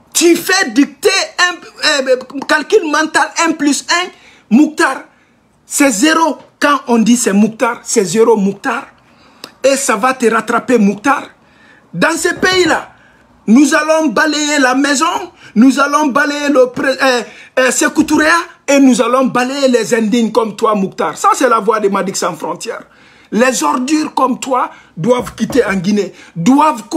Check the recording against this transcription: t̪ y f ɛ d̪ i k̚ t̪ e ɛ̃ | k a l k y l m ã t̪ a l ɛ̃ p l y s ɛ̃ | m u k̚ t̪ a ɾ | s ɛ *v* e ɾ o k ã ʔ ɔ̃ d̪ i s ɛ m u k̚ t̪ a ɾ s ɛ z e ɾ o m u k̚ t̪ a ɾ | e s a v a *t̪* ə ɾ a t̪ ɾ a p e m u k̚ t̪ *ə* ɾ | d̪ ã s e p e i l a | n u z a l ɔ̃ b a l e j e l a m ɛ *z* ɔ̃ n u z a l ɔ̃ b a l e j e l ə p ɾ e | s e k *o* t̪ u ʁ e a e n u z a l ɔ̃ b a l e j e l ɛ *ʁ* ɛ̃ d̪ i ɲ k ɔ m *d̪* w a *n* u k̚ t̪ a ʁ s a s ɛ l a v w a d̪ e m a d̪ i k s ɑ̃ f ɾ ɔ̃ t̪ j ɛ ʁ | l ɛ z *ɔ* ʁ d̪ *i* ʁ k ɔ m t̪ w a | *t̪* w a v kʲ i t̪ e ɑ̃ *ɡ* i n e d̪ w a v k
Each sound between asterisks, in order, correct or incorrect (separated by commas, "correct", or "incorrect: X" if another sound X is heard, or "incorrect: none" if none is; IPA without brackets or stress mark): incorrect: z, correct, incorrect: a, correct, incorrect: u, incorrect: z, incorrect: t̪, incorrect: m, correct, incorrect: y, incorrect: d̪, correct